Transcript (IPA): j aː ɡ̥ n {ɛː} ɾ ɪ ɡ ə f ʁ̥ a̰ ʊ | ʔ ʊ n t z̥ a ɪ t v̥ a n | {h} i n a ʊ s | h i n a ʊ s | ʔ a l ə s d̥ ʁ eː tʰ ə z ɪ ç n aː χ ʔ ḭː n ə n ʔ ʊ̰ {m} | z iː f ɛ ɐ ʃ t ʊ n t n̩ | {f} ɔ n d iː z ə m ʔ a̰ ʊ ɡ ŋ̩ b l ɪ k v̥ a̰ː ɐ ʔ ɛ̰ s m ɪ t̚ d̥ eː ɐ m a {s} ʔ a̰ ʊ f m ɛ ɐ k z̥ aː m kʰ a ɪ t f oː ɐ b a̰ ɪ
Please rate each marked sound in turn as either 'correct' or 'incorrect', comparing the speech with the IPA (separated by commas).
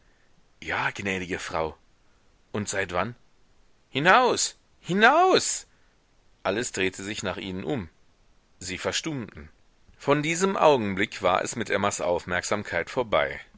correct, correct, correct, correct, correct